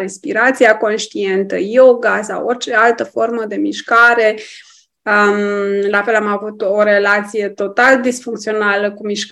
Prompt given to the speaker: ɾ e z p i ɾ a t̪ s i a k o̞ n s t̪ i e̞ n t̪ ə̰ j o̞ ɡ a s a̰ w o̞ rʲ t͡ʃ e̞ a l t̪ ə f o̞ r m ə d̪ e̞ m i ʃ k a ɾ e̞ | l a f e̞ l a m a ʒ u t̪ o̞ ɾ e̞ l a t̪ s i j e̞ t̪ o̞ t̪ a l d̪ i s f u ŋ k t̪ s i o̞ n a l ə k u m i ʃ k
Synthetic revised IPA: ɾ e s p i ɾ a t̪ s i a k o̞ n ʃ t̪ i e̞ n t̪ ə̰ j o̞ ɡ a s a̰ w o̞ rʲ t͡ʃ e̞ a l t̪ ə f o̞ r m ə d̪ e̞ m i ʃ k a ɾ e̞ | l a f e̞ l a m a v u t̪ o̞ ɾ e̞ l a t̪ s i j e̞ t̪ o̞ t̪ a l d̪ i s f u ŋ k t̪ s i o̞ n a l ə k u m i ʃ k